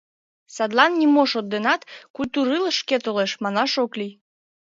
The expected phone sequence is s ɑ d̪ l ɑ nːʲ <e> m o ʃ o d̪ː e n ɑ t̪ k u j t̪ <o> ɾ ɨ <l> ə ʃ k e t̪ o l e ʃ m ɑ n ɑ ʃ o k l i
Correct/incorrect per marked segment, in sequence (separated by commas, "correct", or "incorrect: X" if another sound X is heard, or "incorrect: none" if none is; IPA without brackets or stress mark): incorrect: i, incorrect: u, correct